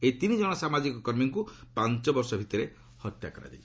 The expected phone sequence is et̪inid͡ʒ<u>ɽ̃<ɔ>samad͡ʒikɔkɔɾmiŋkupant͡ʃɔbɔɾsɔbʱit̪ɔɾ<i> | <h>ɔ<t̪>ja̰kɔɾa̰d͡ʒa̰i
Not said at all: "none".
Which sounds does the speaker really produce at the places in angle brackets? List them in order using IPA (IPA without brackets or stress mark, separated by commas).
ɔ, ɔ, e, h, t̪